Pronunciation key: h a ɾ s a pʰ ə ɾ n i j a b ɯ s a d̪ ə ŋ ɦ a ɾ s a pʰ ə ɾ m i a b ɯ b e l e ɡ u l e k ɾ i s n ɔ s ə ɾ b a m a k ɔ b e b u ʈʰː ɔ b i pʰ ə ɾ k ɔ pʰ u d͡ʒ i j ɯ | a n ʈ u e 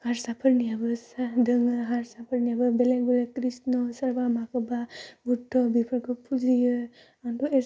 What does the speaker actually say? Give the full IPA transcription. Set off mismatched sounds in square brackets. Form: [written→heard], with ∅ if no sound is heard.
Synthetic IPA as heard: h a ɾ s a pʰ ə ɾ n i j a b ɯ s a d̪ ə ŋ ɦ a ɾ s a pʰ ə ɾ [m→n] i a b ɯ b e l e ɡ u l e k ɾ i s n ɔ s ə ɾ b a m a k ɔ b [e→a] b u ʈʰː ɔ b i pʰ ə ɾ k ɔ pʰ u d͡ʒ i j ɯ | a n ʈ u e